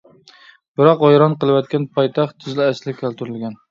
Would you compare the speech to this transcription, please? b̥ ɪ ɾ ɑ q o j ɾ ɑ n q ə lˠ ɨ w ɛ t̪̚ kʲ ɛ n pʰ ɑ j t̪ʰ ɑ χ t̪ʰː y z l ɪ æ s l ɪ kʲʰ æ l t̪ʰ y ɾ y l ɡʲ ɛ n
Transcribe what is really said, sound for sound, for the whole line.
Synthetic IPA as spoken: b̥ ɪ ɾ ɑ q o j ɾ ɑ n q ə lˠ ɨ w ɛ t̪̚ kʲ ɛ n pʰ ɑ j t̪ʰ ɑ χ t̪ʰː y z l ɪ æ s l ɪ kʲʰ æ l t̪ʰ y ɾ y l ɡʲ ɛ n